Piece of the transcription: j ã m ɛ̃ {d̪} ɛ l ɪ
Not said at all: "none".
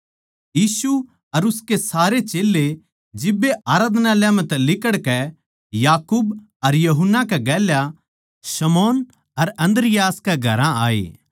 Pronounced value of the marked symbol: t̪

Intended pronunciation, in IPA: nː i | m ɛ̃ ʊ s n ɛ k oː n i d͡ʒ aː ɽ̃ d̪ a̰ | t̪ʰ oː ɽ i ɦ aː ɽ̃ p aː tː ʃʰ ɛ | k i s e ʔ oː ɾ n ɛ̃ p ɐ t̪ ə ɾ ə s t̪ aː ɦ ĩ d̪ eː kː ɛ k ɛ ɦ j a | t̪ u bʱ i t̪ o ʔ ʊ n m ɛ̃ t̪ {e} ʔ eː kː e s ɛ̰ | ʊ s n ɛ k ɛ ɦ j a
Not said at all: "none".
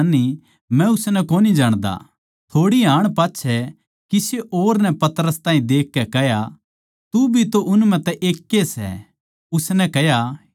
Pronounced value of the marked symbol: ɛ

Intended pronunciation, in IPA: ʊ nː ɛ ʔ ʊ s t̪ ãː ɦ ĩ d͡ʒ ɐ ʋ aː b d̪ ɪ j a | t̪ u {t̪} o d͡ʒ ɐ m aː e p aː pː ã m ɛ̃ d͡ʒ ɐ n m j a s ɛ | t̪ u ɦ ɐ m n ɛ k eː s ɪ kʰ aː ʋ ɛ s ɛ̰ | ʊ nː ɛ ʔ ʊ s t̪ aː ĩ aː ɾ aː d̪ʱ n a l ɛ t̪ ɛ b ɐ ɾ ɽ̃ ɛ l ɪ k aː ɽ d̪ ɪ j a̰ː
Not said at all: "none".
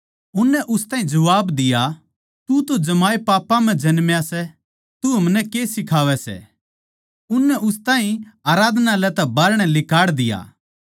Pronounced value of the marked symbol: t̪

